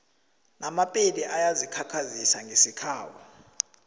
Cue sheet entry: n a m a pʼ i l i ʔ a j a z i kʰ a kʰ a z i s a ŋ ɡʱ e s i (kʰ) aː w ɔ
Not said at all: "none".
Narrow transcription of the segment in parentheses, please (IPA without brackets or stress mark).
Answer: kʰ